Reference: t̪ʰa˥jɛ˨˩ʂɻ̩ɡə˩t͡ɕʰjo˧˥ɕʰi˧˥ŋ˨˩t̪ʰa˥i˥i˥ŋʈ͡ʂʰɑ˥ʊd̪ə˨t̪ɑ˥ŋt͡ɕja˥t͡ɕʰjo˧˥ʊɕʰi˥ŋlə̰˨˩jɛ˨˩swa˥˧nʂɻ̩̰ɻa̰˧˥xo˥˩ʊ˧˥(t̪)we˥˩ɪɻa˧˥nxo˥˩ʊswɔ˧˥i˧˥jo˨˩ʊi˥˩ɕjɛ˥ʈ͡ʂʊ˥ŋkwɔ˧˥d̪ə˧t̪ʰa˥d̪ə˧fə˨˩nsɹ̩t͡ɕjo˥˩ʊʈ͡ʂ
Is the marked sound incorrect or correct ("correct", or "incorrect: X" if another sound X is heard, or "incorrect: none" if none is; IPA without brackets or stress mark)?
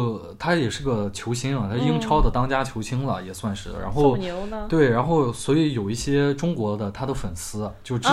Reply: correct